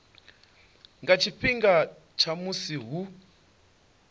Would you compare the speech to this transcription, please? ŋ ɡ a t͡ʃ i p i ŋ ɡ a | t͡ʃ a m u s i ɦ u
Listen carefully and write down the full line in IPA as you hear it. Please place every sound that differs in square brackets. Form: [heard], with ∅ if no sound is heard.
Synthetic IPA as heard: ŋ ɡ a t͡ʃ i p i ŋ ɡ a | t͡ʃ a m u s i ɦ u

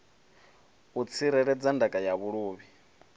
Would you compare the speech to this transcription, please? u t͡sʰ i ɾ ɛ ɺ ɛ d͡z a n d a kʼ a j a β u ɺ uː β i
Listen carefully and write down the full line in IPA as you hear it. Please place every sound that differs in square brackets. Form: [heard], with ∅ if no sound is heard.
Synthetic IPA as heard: u t͡sʰ i ɾ ɛ ɺ ɛ d͡z a n d a kʼ a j a β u ɺ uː β i

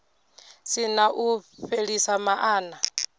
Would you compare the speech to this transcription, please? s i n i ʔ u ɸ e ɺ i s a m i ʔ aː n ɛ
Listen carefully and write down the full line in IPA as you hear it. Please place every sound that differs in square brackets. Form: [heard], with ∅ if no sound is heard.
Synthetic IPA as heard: s i n [a] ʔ u ɸ e ɺ i s a m [a] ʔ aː n [a]

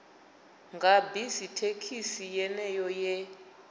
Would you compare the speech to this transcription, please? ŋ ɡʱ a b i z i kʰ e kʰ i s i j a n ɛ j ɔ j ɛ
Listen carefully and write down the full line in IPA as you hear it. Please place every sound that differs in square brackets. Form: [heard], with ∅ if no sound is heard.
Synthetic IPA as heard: ŋ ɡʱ a b i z i [tʰ] e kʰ i s i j [ɛ] n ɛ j ɔ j ɛ

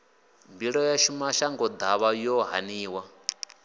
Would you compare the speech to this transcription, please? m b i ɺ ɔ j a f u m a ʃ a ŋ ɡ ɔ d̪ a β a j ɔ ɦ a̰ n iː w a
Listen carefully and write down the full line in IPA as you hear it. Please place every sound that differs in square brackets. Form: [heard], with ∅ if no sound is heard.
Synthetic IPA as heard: m b i ɺ ɔ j a [ʃ] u m a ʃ a ŋ ɡ ɔ d̪ a β a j ɔ ɦ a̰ n iː w a

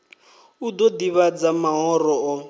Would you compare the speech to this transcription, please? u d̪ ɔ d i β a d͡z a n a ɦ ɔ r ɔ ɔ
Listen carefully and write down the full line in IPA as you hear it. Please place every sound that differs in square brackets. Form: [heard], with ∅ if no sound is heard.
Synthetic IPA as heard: u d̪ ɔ d i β a d͡z a [m] a ɦ ɔ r ɔ ɔ

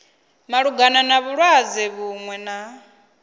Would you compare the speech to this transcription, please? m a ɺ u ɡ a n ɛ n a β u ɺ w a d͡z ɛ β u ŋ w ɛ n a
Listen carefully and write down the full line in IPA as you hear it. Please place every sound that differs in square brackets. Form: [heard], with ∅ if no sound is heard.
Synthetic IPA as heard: m a ɺ u ɡ a n [a] n a β u ɺ w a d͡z ɛ β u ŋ w ɛ n a

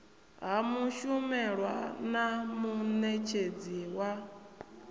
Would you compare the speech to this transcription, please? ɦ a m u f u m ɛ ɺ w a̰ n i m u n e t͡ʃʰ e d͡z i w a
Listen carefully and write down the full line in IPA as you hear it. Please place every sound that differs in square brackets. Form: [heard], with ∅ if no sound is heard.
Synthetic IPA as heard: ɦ a m u [ʃ] u m ɛ ɺ w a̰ n [a] m u n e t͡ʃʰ e d͡z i w a

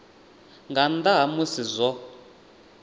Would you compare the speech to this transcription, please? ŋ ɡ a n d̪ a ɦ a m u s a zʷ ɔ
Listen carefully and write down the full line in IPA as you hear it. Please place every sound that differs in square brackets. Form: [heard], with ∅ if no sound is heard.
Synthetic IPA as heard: ŋ ɡ a n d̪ a ɦ a m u s [i] zʷ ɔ

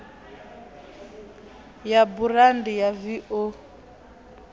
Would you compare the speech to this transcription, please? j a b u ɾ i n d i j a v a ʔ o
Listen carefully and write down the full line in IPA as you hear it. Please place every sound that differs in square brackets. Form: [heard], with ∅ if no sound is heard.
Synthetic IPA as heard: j a b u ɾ [a] n d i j a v [i] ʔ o

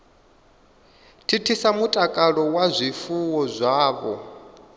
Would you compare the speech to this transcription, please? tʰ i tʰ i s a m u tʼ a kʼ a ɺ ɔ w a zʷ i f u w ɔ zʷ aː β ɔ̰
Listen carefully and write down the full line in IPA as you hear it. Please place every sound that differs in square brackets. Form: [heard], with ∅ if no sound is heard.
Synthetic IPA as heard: tʰ i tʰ i s a m u tʼ a kʼ a ɺ ɔ w a zʷ i f u w ɔ zʷ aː β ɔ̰

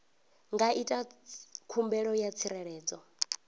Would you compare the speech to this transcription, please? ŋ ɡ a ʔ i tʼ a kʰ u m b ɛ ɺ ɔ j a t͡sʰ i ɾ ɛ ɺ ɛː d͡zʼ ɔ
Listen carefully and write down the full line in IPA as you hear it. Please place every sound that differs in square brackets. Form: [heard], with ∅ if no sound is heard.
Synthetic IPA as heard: ŋ ɡ a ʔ i tʼ a kʰ u m b ɛ ɺ ɔ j a t͡sʰ i ɾ ɛ ɺ ɛː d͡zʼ ɔ

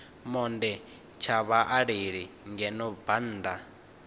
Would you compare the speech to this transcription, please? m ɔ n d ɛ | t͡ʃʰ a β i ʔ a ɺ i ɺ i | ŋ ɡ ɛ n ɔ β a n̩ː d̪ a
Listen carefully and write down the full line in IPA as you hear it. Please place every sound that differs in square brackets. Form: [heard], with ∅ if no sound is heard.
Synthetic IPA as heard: m ɔ n d ɛ | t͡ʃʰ a β [a] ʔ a ɺ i ɺ i | ŋ ɡ ɛ n ɔ [b] a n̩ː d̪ a

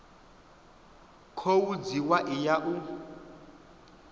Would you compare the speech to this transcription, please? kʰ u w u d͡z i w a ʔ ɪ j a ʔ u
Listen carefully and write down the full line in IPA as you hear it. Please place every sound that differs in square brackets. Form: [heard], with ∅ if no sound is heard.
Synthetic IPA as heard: kʰ [o] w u d͡z i w a ʔ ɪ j a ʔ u

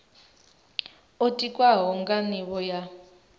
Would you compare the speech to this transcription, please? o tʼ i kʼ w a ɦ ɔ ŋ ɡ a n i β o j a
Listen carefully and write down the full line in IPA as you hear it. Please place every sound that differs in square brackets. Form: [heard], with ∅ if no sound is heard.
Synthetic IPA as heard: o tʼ i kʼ w a ɦ ɔ ŋ ɡ a n i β [ɔ] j a

